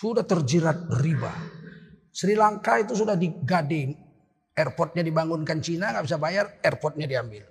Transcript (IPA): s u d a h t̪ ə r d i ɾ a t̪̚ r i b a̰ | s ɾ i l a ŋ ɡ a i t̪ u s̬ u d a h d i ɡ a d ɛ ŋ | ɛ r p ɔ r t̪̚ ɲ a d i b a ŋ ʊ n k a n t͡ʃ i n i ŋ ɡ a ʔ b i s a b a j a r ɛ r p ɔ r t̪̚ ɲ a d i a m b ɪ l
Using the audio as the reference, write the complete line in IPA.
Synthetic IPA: s u d a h t̪ ə r d͡ʒ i ɾ a t̪̚ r i b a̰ | s ɾ i l a ŋ k a i t̪ u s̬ u d a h d i ɡ a d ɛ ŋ | ɛ r p ɔ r t̪̚ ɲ a d i b a ŋ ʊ n k a n t͡ʃ i n a ŋ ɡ a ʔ b i s a b a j a r ɛ r p ɔ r t̪̚ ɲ a d i a m b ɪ l